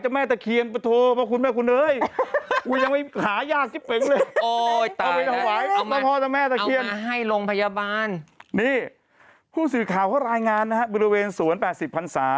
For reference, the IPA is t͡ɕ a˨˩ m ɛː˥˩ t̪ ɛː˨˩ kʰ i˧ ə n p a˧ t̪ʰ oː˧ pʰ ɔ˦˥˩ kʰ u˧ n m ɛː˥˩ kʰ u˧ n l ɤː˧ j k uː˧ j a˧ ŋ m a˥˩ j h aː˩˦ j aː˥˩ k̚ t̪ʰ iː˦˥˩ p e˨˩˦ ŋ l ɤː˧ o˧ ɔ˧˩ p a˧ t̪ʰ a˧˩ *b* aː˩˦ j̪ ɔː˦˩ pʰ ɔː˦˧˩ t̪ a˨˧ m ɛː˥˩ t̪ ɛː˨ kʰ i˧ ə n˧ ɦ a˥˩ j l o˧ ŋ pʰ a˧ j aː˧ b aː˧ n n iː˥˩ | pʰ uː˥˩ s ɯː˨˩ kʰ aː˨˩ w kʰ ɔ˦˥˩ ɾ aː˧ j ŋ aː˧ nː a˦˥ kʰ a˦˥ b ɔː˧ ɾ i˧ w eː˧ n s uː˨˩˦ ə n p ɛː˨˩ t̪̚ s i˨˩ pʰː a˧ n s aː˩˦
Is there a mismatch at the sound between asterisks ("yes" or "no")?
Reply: yes